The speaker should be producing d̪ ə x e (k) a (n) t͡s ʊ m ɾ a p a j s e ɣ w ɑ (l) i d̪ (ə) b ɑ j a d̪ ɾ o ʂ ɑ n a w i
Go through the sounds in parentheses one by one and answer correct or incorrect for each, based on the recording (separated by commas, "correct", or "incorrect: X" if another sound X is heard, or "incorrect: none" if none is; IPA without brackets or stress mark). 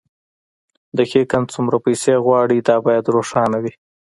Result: correct, correct, incorrect: ɽ, incorrect: ɑ